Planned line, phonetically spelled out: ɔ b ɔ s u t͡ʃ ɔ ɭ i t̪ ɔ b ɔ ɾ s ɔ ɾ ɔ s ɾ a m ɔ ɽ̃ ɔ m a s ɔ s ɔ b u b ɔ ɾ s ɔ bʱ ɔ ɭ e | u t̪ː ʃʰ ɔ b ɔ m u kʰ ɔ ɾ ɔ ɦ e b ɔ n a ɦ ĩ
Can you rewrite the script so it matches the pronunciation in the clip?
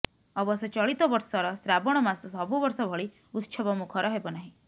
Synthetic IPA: ɔ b ɔ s ɔ t͡ʃ ɔ ɭ i t̪ ɔ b ɔ ɾ s ɔ ɾ ɔ s ɾ a b ɔ ɽ̃ ɔ m a s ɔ s ɔ b u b ɔ ɾ s ɔ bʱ ɔ ɭ i | u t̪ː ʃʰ ɔ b ɔ m u kʰ ɔ ɾ ɔ ɦ e b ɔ n a ɦ ĩ